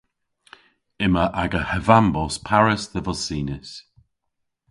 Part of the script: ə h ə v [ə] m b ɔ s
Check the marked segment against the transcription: incorrect: a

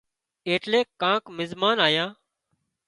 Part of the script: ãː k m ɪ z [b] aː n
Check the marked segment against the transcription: incorrect: m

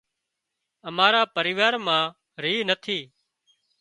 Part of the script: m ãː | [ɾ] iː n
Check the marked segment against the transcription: correct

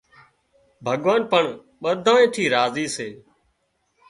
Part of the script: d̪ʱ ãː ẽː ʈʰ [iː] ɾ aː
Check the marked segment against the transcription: correct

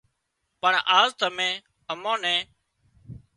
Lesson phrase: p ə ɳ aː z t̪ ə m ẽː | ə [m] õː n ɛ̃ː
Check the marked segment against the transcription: correct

